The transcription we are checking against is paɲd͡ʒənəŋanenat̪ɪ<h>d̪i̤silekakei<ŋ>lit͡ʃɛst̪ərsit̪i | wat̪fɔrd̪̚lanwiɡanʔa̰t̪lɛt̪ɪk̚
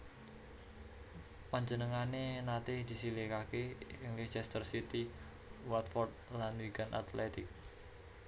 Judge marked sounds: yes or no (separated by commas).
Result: yes, yes